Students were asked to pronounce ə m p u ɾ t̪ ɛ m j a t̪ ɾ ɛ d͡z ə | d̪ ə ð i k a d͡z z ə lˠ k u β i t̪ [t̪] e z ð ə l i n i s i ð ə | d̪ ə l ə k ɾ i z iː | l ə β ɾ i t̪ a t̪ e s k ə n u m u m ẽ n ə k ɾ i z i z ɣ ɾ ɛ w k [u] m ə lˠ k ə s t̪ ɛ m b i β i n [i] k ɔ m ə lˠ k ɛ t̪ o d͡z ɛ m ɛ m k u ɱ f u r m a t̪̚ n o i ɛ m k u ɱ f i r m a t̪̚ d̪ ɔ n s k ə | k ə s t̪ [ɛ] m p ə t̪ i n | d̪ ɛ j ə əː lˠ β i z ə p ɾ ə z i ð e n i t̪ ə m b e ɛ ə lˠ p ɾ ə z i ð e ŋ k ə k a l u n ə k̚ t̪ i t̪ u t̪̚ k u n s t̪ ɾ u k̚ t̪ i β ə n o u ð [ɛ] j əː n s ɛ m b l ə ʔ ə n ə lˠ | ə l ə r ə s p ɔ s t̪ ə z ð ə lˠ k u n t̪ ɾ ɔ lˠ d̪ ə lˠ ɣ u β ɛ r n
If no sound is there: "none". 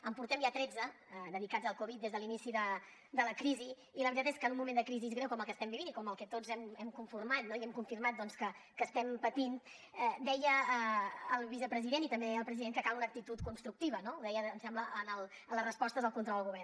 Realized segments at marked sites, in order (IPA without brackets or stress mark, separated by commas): d̪, ɔ, i, ɛ, ɛ